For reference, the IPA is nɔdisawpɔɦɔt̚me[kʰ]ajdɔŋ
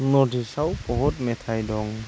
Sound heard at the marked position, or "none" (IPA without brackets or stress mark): tʰ